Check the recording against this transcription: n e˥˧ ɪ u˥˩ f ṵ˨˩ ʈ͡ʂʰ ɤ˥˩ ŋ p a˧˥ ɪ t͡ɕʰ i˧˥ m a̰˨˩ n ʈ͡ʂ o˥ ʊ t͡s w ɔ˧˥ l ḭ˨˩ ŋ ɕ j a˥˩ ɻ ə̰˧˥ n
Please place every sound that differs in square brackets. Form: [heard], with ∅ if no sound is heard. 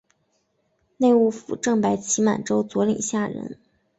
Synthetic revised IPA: n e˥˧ ɪ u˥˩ f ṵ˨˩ [ʈ͡ʂ] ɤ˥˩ ŋ p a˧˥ ɪ t͡ɕʰ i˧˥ m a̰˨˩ n ʈ͡ʂ o˥ ʊ t͡s w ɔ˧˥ l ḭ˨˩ ŋ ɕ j a˥˩ ɻ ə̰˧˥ n